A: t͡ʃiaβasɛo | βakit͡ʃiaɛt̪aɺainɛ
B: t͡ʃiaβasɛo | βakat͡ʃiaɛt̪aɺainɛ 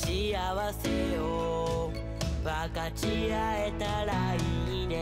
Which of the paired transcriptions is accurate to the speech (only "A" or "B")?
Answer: B